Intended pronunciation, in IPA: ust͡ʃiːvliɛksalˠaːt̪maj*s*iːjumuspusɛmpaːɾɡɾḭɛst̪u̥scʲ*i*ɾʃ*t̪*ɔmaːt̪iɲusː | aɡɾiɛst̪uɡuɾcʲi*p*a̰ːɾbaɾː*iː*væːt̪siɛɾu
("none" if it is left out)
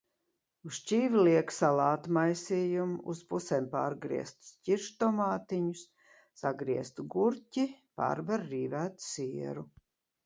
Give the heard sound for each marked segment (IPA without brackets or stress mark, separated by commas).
s, i, t̪, p, iː